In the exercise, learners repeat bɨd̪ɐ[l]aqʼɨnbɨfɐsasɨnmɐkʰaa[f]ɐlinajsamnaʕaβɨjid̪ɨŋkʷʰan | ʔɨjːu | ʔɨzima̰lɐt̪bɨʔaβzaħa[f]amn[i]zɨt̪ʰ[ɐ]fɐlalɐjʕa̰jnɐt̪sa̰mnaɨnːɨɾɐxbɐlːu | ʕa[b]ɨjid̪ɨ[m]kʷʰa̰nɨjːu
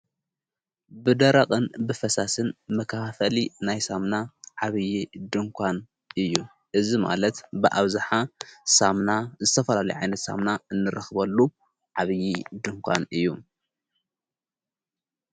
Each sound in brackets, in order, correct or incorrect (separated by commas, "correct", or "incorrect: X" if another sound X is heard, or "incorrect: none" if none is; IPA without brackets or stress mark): incorrect: ɾ, correct, incorrect: s, incorrect: a, correct, incorrect: β, incorrect: ŋ